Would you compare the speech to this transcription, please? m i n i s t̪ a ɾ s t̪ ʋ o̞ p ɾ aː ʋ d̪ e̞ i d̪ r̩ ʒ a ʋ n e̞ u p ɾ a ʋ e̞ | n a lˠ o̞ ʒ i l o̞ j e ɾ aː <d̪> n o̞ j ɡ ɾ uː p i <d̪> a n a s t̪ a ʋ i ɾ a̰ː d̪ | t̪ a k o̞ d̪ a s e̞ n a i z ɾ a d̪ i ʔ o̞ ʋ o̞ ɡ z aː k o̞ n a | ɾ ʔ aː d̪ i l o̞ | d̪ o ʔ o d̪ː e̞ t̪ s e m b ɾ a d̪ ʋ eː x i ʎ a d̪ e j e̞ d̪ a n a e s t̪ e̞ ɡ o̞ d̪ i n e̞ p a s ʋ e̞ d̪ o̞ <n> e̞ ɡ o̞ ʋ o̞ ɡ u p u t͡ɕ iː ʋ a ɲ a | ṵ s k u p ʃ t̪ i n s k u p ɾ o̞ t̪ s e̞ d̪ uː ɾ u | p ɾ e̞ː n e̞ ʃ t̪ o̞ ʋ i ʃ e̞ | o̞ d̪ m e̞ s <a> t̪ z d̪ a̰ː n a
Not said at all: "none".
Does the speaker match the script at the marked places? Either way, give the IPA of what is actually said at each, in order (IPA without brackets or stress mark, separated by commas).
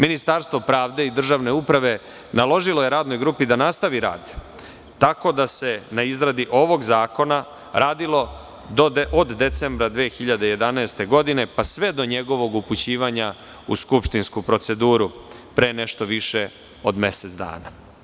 d̪, d̪, ɲ, e